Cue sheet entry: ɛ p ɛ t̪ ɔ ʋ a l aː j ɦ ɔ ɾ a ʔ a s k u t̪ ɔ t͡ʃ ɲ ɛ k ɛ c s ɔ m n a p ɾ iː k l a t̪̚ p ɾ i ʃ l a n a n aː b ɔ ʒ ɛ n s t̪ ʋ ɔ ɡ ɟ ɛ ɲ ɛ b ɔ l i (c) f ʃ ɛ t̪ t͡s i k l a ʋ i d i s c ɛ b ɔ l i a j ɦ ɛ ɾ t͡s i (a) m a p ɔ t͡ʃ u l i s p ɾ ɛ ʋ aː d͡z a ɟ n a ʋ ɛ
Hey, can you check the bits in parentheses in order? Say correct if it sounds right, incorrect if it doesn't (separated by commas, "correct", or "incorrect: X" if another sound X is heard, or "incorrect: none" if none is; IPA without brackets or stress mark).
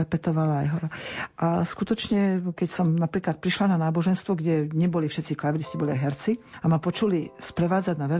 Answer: incorrect: none, correct